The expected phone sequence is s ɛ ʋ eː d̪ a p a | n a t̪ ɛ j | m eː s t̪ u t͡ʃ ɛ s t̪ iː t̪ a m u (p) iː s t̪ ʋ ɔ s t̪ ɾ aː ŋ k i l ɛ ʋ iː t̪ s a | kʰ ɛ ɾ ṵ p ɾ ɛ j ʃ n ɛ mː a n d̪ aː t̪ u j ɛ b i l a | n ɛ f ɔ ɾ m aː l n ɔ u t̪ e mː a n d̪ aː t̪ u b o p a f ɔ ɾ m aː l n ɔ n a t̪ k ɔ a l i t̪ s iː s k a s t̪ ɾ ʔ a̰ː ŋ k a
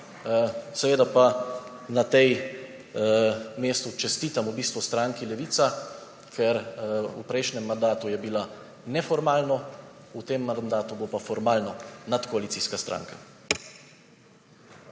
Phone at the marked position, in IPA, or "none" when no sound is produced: b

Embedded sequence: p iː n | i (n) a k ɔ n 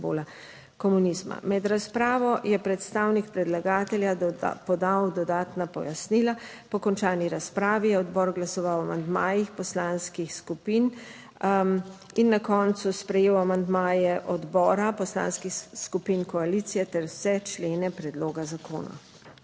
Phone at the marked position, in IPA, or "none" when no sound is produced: nː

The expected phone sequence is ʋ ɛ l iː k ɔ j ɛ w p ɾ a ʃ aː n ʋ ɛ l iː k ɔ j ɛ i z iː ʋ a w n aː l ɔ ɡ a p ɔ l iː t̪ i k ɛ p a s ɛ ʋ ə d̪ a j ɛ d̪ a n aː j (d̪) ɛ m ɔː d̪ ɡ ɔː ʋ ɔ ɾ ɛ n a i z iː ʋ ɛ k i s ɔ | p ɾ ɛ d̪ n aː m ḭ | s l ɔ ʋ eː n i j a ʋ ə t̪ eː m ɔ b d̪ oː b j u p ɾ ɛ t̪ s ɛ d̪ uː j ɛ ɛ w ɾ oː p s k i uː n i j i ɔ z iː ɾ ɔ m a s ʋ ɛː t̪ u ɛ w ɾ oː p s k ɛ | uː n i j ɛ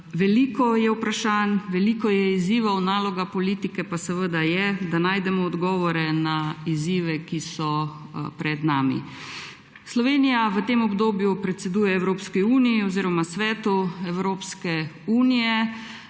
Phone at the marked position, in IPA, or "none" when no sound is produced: d̪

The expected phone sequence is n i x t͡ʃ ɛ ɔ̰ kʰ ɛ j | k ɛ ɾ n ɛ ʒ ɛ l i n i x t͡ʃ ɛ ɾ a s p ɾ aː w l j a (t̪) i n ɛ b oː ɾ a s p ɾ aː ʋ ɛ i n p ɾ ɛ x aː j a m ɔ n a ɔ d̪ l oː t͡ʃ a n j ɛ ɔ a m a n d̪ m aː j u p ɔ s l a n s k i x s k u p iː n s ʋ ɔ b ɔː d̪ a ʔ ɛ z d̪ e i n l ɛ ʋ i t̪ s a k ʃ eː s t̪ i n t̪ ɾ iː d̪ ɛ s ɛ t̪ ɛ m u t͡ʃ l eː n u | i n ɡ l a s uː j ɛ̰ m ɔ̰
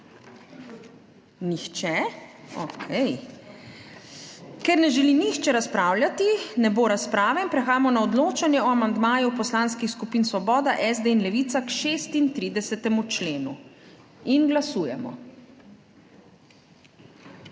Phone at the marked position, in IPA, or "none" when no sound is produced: t̪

